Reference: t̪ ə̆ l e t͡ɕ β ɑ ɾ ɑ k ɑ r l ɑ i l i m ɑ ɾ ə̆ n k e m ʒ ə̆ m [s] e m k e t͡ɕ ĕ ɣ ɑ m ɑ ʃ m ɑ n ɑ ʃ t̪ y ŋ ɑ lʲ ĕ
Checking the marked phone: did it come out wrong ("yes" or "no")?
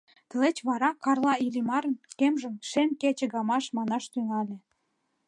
yes